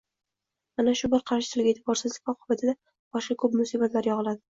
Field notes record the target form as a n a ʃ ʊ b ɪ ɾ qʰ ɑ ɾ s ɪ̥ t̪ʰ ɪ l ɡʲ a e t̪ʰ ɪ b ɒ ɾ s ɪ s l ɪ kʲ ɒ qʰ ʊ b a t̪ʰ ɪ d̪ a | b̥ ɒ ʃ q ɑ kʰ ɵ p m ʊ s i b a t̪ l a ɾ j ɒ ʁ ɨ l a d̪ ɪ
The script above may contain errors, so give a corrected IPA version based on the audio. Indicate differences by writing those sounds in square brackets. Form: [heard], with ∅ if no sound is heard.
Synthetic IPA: a n a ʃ ʊ b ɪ ɾ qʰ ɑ ɾ [ʃ] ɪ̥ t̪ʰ ɪ l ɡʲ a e t̪ʰ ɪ b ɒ ɾ s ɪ [z] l ɪ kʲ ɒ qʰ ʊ b a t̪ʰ ɪ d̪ a | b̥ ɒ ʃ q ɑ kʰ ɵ p m ʊ s i b a t̪ l a ɾ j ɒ ʁ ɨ l a d̪ ɪ